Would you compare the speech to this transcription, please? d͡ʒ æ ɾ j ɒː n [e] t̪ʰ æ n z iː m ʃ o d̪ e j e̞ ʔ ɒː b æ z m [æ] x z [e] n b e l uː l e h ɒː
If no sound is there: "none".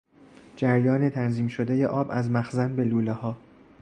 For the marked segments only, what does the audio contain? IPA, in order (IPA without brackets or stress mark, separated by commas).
e, æ, æ